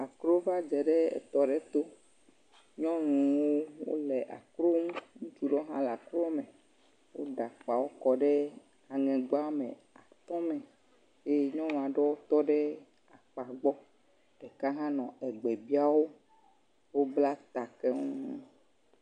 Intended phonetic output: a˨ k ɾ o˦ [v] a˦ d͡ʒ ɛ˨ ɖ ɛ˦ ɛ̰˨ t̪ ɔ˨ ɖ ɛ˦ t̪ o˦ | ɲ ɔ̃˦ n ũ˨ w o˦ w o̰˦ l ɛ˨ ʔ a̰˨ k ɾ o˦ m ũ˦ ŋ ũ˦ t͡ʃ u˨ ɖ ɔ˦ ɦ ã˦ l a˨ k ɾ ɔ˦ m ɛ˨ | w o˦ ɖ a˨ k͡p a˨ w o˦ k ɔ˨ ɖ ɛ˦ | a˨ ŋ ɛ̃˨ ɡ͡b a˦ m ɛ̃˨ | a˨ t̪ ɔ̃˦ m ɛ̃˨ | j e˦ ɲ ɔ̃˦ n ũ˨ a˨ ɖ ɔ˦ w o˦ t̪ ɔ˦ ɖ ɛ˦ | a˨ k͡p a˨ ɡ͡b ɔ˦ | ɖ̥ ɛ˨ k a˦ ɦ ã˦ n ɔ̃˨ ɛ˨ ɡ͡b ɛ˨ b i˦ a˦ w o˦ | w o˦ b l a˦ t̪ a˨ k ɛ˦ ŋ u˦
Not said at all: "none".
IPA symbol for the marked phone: v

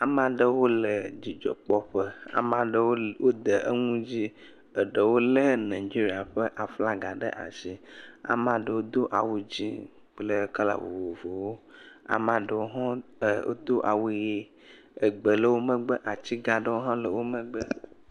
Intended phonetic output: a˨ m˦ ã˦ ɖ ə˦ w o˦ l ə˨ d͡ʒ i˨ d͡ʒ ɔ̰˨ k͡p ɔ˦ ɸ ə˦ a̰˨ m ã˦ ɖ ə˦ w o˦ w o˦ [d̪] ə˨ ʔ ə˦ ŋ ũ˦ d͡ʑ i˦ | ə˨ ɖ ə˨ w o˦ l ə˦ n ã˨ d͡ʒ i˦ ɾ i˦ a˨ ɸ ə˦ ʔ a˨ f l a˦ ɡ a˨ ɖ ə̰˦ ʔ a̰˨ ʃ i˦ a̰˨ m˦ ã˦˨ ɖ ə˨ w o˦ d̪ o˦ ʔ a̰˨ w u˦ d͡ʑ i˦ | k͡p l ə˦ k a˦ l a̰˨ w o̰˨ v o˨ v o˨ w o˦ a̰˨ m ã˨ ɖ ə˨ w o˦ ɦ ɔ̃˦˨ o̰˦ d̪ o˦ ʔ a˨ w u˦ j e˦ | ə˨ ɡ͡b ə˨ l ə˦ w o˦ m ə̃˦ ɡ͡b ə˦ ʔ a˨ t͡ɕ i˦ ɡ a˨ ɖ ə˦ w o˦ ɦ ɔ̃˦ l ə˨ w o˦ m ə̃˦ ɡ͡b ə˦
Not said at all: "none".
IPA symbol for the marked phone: d̪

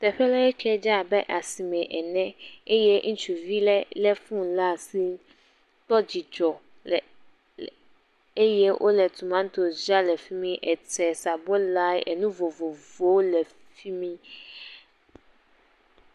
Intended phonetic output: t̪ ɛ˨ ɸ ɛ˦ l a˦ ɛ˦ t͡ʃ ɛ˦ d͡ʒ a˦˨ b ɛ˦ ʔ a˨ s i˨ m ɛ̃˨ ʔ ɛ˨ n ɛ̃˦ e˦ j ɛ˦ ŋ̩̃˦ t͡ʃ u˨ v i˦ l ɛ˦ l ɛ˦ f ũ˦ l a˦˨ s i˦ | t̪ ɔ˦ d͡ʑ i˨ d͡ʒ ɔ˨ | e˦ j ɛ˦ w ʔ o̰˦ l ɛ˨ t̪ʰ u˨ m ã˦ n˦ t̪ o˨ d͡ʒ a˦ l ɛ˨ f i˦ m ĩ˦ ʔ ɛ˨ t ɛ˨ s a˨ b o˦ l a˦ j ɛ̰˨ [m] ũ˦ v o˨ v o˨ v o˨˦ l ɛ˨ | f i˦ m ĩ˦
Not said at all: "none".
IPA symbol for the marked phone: n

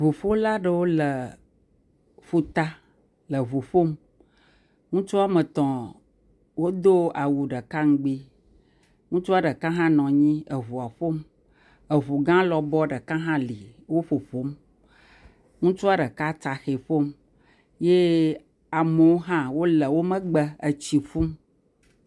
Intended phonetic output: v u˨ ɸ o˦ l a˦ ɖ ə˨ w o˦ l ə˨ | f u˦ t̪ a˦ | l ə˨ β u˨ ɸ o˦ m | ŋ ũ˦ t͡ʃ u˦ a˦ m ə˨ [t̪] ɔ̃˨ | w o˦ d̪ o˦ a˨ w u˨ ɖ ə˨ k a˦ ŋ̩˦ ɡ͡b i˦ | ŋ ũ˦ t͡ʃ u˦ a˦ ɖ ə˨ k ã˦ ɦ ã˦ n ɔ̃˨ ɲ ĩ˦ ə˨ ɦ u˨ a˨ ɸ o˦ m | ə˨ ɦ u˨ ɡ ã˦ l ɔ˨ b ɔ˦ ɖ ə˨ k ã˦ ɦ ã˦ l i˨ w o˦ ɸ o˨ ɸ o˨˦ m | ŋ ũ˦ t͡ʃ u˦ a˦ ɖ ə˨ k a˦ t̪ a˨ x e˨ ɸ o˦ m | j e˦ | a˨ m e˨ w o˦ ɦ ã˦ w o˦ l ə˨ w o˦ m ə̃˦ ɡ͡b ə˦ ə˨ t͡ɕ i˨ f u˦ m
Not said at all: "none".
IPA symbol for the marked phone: t̪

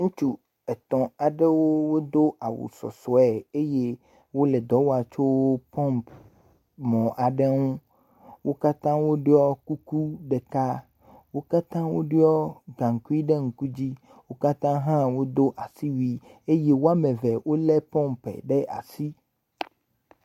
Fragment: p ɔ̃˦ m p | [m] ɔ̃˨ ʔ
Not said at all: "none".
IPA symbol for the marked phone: m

